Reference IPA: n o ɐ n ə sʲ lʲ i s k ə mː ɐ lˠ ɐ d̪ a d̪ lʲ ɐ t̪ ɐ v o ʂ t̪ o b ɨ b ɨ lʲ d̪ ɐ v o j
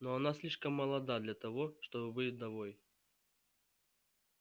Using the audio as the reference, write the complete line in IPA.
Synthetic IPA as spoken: n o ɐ n a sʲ lʲ i ʂ k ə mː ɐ lˠ ɐ d̪ a d̪ lʲ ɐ t̪ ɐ v o ʂ t̪ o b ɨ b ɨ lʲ d̪ ɐ v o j